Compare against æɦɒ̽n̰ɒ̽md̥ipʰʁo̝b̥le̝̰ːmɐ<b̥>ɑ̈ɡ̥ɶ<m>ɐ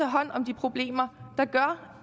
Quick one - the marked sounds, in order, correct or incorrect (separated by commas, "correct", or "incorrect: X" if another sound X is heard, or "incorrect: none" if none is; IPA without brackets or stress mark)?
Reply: incorrect: d̥, incorrect: none